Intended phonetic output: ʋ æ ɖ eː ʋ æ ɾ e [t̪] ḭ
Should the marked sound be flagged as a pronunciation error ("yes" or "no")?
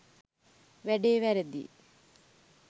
yes